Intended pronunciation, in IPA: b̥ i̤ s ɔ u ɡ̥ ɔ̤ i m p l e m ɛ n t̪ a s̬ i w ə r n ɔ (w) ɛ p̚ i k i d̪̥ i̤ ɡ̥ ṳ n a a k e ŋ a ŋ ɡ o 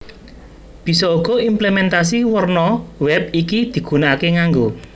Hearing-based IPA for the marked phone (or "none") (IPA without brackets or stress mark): w